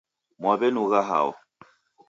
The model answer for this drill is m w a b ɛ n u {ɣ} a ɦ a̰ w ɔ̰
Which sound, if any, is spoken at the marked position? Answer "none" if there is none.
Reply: ɣ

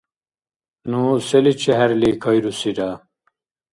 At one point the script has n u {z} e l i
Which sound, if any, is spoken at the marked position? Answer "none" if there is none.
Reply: s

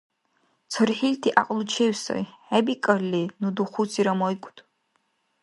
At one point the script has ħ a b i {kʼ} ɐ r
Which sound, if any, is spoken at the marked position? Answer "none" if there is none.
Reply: kʼ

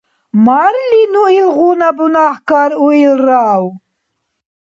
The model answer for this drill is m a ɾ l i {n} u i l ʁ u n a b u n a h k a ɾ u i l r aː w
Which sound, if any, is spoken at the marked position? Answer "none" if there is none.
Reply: n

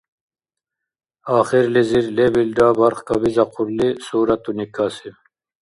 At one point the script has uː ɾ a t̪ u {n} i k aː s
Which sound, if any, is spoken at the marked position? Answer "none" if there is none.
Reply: n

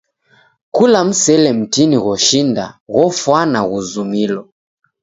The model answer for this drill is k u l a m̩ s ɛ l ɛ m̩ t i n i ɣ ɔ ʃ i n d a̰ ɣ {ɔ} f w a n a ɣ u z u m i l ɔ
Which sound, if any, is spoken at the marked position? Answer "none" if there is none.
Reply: ɔ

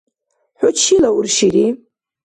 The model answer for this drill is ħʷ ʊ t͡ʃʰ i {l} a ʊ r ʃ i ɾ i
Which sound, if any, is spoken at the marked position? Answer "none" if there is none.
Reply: l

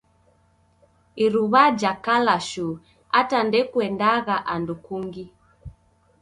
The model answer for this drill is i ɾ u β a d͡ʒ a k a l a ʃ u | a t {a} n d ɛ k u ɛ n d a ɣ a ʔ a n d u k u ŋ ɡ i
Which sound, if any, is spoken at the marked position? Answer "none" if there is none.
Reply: a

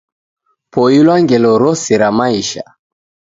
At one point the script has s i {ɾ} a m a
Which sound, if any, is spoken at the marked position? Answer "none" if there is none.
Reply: ɾ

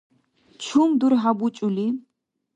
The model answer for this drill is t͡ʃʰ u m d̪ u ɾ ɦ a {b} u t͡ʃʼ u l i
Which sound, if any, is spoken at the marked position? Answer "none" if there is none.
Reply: b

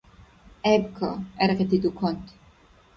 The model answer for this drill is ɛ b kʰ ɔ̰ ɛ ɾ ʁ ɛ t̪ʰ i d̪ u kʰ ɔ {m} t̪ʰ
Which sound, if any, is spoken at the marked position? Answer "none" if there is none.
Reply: n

